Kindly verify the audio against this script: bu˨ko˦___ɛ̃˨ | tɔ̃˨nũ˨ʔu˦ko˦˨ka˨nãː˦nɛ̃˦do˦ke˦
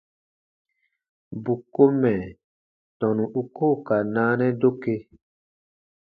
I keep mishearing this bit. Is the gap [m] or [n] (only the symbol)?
m